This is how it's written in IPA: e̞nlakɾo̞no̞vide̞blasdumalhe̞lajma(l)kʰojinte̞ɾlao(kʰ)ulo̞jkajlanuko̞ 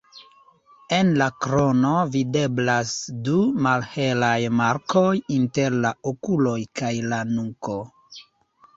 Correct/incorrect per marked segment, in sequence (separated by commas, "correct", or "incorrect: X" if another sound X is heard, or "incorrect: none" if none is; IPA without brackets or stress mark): incorrect: ɾ, incorrect: k